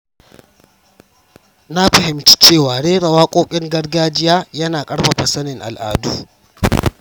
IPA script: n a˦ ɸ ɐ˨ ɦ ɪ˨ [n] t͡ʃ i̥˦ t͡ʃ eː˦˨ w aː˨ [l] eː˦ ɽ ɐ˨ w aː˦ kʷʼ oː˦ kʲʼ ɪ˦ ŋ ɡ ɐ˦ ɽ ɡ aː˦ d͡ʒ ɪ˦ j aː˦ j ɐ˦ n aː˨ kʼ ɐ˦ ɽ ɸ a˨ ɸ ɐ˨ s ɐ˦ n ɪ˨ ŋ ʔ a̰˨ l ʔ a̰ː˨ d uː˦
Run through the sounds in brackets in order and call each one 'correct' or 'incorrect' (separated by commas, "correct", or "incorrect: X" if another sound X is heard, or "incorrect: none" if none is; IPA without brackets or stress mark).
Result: incorrect: m, incorrect: ɽ